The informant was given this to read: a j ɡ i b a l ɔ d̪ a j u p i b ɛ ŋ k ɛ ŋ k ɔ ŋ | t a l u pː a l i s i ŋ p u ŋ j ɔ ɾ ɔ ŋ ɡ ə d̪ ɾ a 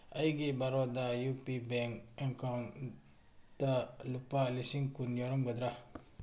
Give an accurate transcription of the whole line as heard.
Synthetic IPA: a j ɡ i b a ɾ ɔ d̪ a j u p i b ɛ ŋ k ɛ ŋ k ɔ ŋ | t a l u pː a l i s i ŋ k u n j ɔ ɾ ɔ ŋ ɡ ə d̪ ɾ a